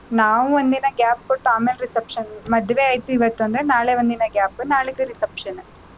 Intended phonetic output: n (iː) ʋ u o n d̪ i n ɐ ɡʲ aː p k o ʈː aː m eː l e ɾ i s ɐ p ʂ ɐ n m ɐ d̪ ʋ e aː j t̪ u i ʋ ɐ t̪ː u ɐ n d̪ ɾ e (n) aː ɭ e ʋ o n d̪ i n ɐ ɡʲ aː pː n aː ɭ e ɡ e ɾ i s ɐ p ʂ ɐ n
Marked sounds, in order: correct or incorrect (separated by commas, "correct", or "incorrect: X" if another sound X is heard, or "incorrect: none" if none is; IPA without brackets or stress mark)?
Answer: incorrect: aː, correct